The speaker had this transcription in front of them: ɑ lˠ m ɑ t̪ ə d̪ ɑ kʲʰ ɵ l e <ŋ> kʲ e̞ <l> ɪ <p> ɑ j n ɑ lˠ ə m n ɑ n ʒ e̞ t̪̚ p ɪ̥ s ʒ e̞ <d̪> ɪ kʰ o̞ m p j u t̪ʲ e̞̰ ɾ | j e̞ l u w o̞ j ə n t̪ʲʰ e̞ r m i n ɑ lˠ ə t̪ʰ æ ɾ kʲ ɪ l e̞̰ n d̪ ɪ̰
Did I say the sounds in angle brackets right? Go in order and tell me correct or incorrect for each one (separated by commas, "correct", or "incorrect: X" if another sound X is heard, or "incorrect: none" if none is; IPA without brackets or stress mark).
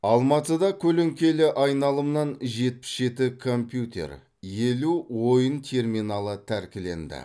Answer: correct, correct, incorrect: ʔ, incorrect: t̪